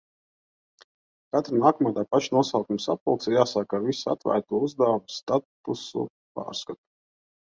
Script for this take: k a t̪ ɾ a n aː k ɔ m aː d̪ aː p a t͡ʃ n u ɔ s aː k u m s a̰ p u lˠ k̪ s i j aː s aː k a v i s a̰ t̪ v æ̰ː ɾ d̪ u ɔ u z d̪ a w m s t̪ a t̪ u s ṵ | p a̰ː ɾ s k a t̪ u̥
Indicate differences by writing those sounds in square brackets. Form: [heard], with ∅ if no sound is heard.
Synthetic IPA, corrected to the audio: k a t̪ ɾ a n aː k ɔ m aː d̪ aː p a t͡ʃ n u ɔ s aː k u m s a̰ p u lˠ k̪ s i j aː s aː k a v i s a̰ t̪ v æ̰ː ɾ [t̪] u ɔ u z d̪ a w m s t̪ a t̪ u s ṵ | p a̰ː ɾ s k a t̪ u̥

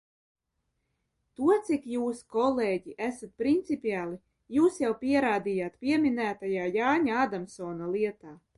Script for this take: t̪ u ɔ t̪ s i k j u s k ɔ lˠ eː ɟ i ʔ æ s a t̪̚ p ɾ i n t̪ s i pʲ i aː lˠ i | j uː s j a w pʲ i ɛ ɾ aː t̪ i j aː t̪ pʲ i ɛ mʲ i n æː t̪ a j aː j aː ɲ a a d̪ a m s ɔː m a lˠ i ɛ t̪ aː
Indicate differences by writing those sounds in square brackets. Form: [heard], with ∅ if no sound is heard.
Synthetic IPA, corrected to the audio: t̪ u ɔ t̪ s i k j [uː] s k ɔ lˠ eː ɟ i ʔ æ s a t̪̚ p ɾ i n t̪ s i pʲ i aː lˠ i | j uː s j a w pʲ i ɛ ɾ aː [d̪] i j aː t̪ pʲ i ɛ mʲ i n æː t̪ a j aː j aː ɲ a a d̪ a m s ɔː [n] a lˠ i ɛ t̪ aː

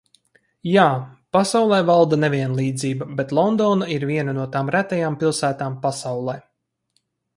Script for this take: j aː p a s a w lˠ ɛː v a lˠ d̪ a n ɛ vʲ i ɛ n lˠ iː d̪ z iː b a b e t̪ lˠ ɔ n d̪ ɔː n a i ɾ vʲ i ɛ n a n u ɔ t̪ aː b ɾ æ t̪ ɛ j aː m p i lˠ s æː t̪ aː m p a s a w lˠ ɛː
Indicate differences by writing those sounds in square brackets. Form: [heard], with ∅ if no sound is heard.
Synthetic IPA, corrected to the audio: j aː p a s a w lˠ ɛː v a lˠ d̪ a n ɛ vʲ i ɛ n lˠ iː d̪ z iː b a b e t̪ lˠ ɔ n d̪ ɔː n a i ɾ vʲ i ɛ n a n u ɔ t̪ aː [m] ɾ æ t̪ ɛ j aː m p i lˠ s æː t̪ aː m p a s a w lˠ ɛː

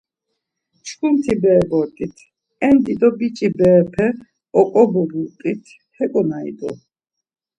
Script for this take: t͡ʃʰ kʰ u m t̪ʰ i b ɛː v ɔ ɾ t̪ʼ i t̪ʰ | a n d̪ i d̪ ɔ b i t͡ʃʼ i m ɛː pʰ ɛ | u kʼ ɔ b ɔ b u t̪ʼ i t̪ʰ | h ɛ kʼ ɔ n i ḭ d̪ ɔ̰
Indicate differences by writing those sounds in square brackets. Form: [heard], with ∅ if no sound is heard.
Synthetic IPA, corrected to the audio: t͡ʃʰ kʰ u m t̪ʰ i b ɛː [b] ɔ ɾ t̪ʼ i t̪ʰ | [ɛ] n d̪ i d̪ ɔ b i t͡ʃʼ i [b] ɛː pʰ ɛ | [ɔ] kʼ ɔ b ɔ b u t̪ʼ i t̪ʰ | h ɛ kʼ ɔ n [a] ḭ d̪ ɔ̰

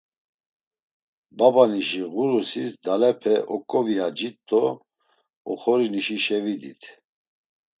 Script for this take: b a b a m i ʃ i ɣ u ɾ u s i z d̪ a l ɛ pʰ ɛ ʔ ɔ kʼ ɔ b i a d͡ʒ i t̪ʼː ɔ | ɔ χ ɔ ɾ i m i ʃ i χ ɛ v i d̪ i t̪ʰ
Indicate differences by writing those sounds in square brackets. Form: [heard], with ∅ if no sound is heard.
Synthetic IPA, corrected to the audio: b a b a [n] i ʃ i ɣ u ɾ u s i [s] d̪ a l ɛ pʰ ɛ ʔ ɔ kʼ ɔ [v] i a d͡ʒ i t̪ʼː ɔ | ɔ χ ɔ ɾ i [n] i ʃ i [ʃ] ɛ v i d̪ i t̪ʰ

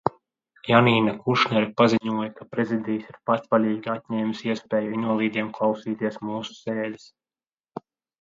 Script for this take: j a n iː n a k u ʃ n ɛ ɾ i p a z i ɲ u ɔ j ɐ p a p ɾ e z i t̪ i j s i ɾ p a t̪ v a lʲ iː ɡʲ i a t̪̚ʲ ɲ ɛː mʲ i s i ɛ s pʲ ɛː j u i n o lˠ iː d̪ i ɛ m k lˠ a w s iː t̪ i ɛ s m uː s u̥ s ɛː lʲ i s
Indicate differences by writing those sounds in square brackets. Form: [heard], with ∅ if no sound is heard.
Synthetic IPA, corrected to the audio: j a n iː n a k u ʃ n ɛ ɾ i p a z i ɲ u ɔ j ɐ [k] a p ɾ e z i [d̪] i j s i ɾ p a t̪ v a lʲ iː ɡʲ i a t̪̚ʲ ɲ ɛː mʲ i s i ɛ s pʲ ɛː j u i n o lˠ iː d̪ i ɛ m k lˠ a w s iː t̪ i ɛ s m uː s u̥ s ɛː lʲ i s

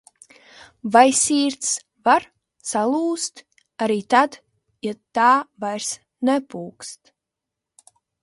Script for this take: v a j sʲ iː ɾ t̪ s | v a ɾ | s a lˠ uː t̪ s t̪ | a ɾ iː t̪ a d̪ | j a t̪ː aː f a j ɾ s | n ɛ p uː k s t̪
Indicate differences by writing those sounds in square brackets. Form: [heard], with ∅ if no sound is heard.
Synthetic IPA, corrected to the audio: v a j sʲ iː ɾ t̪ s | v a ɾ | s a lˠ uː [∅] s t̪ | a ɾ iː t̪ a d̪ | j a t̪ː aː [v] a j ɾ s | n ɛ p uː k s t̪

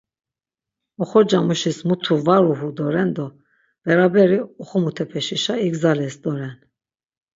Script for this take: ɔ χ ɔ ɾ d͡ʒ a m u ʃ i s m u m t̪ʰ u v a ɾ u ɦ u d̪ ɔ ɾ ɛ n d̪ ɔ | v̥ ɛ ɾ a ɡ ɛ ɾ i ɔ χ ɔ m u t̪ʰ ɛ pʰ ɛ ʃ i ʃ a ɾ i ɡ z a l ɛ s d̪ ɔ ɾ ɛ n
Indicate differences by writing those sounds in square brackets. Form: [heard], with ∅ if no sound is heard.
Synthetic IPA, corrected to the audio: ɔ χ ɔ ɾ d͡ʒ a m u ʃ i s m u [∅] t̪ʰ u v a ɾ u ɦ u d̪ ɔ ɾ ɛ n d̪ ɔ | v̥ ɛ ɾ a [b] ɛ ɾ i ɔ χ ɔ m u t̪ʰ ɛ pʰ ɛ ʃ i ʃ a [∅] i ɡ z a l ɛ s d̪ ɔ ɾ ɛ n

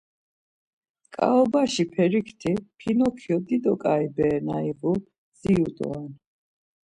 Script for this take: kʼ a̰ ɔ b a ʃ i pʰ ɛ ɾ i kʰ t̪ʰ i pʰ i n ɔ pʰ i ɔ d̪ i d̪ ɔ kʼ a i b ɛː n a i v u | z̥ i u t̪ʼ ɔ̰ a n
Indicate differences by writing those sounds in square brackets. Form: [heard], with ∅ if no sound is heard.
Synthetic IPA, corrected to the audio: kʼ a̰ ɔ b a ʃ i pʰ ɛ ɾ i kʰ t̪ʰ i pʰ i n ɔ [kʰ] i ɔ d̪ i d̪ ɔ kʼ a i b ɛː n a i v u | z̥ i u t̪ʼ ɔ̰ a n

